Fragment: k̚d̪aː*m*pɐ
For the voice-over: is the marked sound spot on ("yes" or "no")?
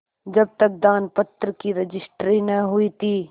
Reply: no